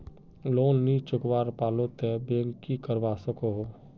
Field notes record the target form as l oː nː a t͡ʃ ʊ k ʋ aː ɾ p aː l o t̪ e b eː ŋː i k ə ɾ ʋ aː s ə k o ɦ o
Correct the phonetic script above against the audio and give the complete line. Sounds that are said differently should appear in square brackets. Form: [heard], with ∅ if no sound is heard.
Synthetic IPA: l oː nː [i] t͡ʃ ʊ k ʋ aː ɾ p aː l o t̪ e b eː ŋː i k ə ɾ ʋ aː s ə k o ɦ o